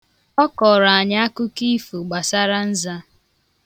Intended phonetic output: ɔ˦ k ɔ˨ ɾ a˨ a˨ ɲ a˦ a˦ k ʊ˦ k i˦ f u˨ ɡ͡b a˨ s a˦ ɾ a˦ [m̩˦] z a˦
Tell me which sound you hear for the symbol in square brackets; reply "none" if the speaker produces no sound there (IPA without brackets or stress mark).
n̩˦